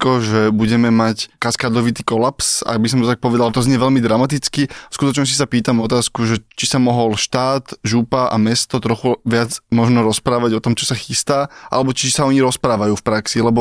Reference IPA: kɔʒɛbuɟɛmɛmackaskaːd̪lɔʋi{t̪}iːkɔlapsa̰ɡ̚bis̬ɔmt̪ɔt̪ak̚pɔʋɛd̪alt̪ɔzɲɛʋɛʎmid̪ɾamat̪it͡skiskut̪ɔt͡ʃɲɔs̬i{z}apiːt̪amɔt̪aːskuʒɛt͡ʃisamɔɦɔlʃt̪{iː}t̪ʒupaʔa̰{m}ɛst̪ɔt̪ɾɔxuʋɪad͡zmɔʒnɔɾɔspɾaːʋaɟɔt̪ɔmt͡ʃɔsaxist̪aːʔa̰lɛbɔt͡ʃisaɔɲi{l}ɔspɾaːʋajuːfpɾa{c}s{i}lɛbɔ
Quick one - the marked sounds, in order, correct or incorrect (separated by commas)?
correct, incorrect, incorrect, correct, incorrect, incorrect, correct